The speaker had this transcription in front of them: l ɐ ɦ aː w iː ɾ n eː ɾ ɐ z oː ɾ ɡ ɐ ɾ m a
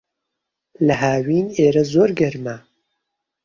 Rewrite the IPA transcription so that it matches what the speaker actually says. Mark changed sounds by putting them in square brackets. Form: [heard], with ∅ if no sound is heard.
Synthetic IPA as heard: l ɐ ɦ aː w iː [∅] n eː ɾ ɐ z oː ɾ ɡ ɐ ɾ m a